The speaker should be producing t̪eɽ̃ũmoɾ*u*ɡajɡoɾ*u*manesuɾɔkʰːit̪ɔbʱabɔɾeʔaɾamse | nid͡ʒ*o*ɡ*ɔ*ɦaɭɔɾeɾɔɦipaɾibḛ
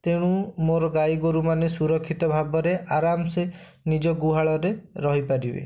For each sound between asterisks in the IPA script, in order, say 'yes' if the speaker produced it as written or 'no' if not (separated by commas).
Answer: no, yes, no, no